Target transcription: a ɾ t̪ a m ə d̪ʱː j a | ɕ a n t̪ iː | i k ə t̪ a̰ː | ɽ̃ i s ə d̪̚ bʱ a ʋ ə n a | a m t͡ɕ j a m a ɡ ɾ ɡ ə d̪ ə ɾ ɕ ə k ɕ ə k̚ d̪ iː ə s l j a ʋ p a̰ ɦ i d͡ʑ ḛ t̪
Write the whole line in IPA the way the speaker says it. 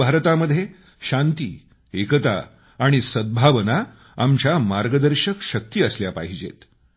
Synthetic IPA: a ɾ t̪ a m ə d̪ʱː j e | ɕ a n t̪ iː | e k ə t̪ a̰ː | ɽ̃ i s ə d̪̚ bʱ a ʋ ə n a | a m t͡ɕ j a m a ɾ ɡ ə d̪ ə ɾ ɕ ə k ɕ ə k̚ t̪ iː ə s l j a p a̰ ɦ i d͡ʑ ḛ t̪